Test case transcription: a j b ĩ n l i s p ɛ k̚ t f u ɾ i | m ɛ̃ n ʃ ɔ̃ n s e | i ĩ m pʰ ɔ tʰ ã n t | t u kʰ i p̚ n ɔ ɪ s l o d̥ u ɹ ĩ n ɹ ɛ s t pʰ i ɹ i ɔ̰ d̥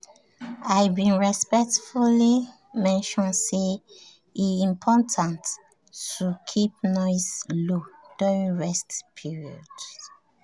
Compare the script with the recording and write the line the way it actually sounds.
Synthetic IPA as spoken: a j b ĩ n ɹ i s p ɛ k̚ t f u l i | m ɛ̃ n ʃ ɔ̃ n s e | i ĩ m pʰ ɔ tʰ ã n t | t u kʰ i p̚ n ɔ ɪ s l o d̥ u ɹ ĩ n ɹ ɛ s t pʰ i ɹ i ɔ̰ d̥